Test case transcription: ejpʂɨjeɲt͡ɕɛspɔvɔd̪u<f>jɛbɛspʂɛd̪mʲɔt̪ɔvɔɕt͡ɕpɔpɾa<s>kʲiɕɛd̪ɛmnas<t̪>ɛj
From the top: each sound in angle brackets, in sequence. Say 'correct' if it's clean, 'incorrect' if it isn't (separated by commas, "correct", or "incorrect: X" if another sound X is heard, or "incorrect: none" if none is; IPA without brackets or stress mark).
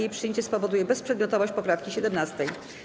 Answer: incorrect: none, incorrect: f, correct